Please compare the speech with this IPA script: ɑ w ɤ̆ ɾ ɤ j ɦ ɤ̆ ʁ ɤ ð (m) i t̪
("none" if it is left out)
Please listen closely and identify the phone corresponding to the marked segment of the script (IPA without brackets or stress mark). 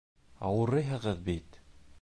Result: b